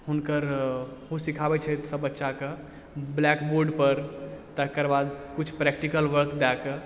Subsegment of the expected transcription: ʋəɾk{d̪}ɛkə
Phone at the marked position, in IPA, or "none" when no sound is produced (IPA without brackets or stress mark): d̪